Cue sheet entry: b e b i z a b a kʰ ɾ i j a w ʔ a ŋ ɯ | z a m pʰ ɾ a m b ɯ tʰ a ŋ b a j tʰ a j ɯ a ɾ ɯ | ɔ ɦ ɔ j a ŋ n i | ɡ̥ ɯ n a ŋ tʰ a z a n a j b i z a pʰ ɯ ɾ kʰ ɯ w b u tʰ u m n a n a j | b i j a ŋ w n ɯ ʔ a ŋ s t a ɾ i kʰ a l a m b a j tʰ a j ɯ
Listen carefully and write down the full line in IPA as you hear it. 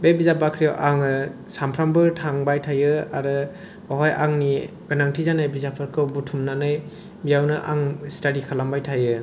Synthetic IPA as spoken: b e b i z a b a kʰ ɾ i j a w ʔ a ŋ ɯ | s a m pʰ ɾ a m b ɯ tʰ a ŋ b a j tʰ a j ɯ a ɾ ɯ | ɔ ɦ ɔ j a ŋ n i | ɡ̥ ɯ n a ŋ tʰ i z a n a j b i z a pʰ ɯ ɾ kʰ ɯ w b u tʰ u m n a n a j | b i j a w n ɯ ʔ a ŋ s t a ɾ i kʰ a l a m b a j tʰ a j ɯ